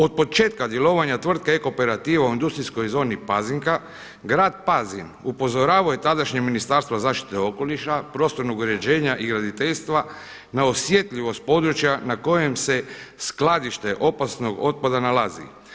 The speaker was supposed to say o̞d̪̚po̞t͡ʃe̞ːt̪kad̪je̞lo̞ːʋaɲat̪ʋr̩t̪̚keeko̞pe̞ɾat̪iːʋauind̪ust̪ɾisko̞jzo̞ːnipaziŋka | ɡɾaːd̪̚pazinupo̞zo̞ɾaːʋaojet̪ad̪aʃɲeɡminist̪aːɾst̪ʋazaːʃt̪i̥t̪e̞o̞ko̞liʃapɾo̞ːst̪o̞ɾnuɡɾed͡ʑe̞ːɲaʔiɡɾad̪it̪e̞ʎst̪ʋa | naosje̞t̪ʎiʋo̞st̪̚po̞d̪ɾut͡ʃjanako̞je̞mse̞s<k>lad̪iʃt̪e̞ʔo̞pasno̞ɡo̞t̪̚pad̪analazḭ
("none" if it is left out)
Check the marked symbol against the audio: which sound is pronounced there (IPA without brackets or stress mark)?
k